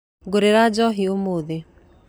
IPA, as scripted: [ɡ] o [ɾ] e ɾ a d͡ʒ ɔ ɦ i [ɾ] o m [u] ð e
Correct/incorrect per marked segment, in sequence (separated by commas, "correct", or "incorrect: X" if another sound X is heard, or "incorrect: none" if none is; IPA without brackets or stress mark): correct, correct, incorrect: none, incorrect: o